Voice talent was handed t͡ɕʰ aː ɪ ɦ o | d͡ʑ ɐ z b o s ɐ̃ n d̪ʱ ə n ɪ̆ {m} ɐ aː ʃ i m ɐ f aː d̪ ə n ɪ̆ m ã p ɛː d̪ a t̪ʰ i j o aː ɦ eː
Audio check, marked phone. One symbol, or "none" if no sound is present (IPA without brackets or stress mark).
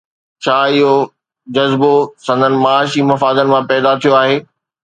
m